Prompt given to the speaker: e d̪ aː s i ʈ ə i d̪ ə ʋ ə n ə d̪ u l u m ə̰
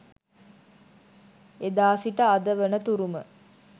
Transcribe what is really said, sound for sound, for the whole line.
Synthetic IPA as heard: e d̪ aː s i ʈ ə a d̪ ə ʋ ə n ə t̪ u ɾ u m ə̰

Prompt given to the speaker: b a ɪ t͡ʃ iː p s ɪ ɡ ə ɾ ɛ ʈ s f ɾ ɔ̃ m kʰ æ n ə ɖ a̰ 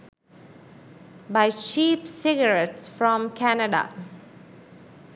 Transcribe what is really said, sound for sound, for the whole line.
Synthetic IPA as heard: b a ɪ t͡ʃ iː p s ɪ ɡ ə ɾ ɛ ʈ s f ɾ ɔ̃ m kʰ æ n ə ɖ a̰

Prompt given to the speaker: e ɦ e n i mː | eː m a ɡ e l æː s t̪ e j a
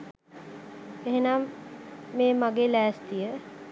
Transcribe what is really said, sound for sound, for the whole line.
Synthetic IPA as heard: e ɦ e n a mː | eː m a ɡ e l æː s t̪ i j ə

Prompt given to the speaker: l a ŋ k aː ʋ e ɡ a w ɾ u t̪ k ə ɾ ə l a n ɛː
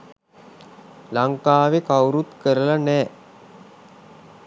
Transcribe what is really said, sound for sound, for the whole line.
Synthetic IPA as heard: l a ŋ k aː ʋ e k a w ɾ u t̪ k ə ɾ ə l a n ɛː

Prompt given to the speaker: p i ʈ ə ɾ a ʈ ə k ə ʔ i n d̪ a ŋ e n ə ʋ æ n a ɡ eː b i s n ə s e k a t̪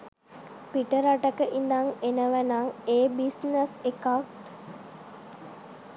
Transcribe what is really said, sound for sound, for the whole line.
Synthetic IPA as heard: p i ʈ ə ɾ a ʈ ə k ə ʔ i n d̪ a ŋ e n ə ʋ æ n a ŋ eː b i s n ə s e k a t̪

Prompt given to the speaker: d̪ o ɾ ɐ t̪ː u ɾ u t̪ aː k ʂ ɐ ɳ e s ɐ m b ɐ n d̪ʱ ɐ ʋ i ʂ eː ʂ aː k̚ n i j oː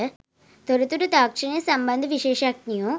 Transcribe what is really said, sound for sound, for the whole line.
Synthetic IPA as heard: t̪ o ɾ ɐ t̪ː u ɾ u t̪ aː k ʂ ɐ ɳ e s ɐ m b ɐ n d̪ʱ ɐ ʋ i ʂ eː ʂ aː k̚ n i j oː

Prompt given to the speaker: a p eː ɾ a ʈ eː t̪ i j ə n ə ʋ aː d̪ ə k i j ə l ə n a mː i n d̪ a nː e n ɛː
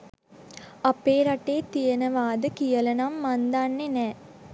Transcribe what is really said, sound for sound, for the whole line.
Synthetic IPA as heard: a p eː ɾ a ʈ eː t̪ i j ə n ə ʋ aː d̪ ə k i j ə l ə n a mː a n d̪ a nː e n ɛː

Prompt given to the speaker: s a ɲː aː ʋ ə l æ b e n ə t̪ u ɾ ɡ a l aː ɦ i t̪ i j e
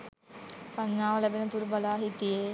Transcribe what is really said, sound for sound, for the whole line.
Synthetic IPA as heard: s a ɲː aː ʋ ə l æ b e n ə t̪ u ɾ b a l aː ɦ i t̪ i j e

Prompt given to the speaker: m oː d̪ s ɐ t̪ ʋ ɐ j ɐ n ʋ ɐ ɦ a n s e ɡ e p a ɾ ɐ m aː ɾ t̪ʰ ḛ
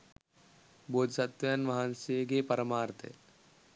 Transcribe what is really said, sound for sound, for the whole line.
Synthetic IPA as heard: b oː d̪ s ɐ t̪ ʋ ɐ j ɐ n ʋ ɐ ɦ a n s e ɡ e p ɐ ɾ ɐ m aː ɾ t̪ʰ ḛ

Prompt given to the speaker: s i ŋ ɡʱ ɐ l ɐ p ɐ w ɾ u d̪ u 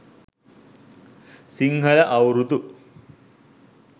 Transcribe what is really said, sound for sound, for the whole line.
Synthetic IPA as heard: s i ŋ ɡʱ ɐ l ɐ ʔ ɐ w ɾ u t̪ u

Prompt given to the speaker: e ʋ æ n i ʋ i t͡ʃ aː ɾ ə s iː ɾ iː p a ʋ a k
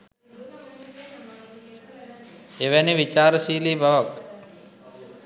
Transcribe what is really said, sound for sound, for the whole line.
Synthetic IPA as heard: e ʋ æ n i ʋ i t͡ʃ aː ɾ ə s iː l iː b a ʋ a k

